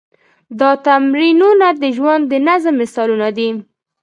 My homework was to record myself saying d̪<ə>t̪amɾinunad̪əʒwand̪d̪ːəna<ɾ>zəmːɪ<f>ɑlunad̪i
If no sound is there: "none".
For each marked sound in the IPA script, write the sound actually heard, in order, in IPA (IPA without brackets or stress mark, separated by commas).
ɑ, none, s